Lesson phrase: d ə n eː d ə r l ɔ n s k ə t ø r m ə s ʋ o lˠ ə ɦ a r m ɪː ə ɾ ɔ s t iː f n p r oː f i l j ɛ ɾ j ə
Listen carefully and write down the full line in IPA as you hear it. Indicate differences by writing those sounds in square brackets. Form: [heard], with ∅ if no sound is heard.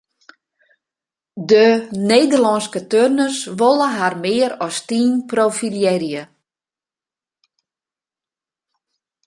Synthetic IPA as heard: d ə n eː d ə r l ɔ n s k ə t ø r [n] ə s ʋ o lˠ ə ɦ a r m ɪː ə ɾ ɔ s t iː [∅] n p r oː f i l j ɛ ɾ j ə